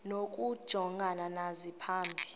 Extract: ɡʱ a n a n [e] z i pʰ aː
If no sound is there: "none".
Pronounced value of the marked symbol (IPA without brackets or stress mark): a